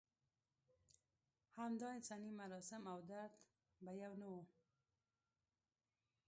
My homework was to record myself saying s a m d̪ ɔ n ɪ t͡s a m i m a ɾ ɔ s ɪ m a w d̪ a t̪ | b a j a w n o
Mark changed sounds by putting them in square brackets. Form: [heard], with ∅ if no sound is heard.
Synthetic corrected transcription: [h] a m d̪ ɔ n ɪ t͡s a [n] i m a ɾ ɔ s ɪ m a w d̪ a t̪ | b a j a w n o